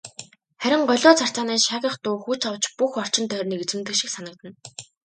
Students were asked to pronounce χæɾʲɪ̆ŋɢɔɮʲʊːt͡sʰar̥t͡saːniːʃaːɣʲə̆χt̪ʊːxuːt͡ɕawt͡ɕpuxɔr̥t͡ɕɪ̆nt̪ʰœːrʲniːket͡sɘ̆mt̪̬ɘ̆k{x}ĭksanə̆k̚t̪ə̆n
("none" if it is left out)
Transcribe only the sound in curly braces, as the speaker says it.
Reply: ʃ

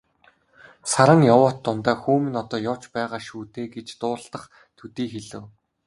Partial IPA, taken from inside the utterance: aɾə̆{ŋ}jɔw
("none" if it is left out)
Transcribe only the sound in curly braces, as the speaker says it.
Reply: ŋ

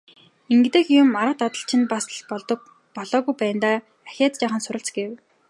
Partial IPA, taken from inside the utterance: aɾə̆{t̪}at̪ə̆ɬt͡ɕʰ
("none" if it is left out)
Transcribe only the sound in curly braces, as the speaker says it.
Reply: t̪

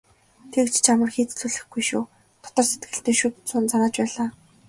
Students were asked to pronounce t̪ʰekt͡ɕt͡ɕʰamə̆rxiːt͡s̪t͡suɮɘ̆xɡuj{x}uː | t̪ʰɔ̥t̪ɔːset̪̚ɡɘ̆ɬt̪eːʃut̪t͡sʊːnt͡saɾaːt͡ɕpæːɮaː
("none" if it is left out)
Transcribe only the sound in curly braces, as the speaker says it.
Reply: ʃ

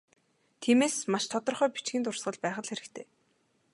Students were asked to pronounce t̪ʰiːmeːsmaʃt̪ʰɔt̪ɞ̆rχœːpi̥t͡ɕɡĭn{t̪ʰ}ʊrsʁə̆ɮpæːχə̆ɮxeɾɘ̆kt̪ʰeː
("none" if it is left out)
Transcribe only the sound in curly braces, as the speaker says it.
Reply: t̪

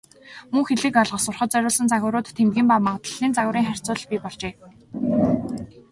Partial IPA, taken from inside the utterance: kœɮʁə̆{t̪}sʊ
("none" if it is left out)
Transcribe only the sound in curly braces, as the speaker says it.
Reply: none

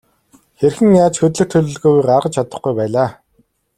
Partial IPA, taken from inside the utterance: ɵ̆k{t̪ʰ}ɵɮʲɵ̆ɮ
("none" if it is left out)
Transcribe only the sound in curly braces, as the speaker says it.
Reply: t̪ʰ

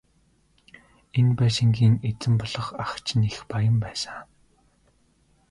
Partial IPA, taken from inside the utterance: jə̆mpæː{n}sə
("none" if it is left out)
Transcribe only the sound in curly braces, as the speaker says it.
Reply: none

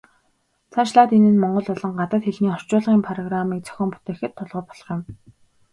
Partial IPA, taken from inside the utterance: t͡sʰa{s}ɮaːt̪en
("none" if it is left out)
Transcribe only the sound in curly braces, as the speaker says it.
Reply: ʃ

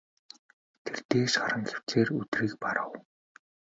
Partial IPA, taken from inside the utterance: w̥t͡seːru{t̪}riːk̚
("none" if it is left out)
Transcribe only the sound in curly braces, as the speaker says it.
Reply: t̪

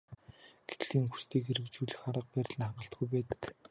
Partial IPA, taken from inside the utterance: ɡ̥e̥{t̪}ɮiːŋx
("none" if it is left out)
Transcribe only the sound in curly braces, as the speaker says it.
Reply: t̪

